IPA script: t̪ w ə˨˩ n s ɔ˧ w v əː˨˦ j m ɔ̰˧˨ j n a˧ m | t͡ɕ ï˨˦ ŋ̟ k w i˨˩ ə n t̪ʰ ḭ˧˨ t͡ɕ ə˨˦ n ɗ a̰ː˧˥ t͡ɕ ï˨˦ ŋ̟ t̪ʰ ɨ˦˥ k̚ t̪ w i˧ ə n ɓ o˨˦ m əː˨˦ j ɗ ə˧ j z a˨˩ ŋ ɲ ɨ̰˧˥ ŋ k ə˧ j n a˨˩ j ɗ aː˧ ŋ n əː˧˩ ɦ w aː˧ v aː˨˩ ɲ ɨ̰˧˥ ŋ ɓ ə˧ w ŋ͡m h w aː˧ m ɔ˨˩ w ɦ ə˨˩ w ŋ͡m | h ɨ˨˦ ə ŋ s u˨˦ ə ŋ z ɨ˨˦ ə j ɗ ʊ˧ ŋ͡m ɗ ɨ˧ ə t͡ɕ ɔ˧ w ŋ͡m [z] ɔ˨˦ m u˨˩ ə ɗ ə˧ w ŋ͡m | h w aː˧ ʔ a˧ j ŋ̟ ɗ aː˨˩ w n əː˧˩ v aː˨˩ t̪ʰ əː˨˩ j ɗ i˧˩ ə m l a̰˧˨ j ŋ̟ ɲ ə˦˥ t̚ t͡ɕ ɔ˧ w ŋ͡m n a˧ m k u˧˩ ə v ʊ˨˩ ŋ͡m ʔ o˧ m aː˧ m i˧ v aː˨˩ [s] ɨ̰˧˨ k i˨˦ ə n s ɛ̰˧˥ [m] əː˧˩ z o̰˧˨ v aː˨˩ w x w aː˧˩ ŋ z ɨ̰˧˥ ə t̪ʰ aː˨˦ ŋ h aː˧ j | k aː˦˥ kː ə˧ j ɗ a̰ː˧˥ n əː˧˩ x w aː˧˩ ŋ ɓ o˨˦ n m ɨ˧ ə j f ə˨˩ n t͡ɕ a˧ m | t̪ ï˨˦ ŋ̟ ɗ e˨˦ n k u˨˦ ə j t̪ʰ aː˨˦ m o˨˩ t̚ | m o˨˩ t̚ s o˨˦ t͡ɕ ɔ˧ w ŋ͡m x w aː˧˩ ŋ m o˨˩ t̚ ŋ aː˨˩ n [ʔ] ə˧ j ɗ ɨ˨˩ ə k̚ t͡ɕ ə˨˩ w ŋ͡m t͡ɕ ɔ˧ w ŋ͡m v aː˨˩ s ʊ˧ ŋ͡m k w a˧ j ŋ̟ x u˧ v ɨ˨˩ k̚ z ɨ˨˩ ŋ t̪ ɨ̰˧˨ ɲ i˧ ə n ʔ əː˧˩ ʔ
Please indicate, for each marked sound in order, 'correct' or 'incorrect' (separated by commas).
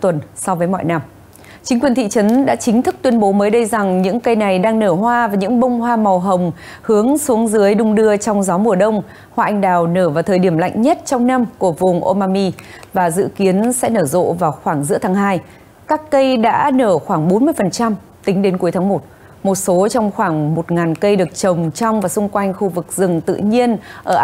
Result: correct, incorrect, incorrect, incorrect